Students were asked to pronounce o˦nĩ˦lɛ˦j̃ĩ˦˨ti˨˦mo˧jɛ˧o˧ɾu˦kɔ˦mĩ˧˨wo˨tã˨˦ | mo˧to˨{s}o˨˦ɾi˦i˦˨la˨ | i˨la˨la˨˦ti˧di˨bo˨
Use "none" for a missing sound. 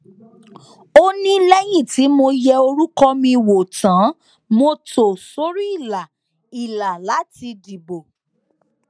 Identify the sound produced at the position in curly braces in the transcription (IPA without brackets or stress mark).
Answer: s